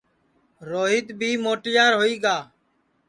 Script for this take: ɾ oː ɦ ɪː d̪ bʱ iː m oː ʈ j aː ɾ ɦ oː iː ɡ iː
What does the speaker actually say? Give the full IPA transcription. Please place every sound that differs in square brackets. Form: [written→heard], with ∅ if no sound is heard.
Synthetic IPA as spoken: ɾ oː ɦ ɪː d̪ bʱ iː m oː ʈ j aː ɾ ɦ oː iː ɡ [iː→aː]